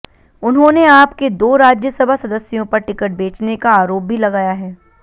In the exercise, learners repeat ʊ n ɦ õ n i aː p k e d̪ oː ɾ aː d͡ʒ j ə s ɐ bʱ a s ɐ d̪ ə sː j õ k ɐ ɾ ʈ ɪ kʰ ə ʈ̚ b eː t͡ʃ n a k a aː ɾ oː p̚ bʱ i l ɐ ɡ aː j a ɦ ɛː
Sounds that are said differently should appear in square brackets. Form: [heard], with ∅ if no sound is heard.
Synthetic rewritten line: ʊ n ɦ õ n [e] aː p k e d̪ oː ɾ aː d͡ʒ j ə s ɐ bʱ a s ɐ d̪ ə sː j õ [p] ɐ ɾ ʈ ɪ [k] ə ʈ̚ b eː t͡ʃ n [e] k a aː ɾ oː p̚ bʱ i l ɐ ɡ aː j a ɦ ɛː

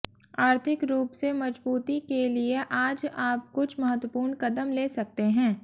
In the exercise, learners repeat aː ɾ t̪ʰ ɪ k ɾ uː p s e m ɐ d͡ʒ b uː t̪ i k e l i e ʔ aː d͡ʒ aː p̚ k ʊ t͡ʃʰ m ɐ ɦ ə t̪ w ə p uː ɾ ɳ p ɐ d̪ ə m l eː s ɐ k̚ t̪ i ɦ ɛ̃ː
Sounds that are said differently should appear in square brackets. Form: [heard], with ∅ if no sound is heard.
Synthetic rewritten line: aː ɾ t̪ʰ ɪ k ɾ uː p s e m ɐ d͡ʒ b uː t̪ i k e l i e ʔ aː d͡ʒ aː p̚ k ʊ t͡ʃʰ m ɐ ɦ ə t̪ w ə p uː ɾ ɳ [k] ɐ d̪ ə m l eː s ɐ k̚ t̪ [e] ɦ ɛ̃ː

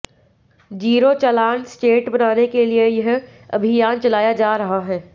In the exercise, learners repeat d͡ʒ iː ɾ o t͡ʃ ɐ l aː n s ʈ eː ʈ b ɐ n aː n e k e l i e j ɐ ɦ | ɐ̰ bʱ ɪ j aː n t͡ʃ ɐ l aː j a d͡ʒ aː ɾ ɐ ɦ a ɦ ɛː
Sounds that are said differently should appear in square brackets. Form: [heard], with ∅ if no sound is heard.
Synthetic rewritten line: d͡ʒ iː ɾ o t͡ʃ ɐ l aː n s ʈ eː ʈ b ɐ n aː n e k e l i e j ɐ ɦ | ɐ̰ bʱ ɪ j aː n t͡ʃ ɐ l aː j a d͡ʒ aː ɾ ɐ ɦ a ɦ ɛː

